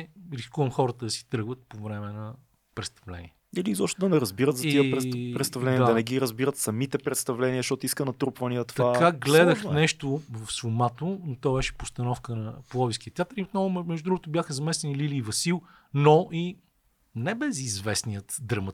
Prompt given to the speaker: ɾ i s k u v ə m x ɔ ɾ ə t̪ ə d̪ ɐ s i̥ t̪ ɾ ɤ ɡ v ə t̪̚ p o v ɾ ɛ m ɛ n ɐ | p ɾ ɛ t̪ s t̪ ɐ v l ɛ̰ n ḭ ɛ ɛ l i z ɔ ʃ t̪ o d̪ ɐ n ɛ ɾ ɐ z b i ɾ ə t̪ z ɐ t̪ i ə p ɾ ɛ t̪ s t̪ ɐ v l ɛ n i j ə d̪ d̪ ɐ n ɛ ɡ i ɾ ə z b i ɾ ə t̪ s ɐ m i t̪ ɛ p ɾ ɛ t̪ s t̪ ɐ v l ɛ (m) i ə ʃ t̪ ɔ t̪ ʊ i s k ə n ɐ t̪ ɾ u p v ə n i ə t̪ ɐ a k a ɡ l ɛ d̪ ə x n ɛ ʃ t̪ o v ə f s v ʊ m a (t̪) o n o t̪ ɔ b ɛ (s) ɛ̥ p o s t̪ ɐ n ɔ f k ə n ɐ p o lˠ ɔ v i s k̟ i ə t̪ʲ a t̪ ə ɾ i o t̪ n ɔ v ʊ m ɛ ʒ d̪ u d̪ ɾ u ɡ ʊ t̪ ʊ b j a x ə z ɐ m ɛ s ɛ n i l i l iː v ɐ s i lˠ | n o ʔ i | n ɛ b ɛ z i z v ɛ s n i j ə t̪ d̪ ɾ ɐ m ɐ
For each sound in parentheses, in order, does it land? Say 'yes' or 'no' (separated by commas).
no, yes, no